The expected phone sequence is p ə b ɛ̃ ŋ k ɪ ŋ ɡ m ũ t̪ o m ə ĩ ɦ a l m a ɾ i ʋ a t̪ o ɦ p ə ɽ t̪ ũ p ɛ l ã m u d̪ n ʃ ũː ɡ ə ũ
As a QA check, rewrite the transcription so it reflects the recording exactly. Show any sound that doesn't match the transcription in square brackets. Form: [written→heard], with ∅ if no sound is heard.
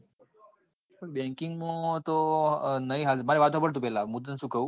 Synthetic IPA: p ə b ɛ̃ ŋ k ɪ ŋ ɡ m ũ t̪ o [m→n] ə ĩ ɦ a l m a ɾ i ʋ a t̪ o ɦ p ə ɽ t̪ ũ p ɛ l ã m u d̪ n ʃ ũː [ɡ→k] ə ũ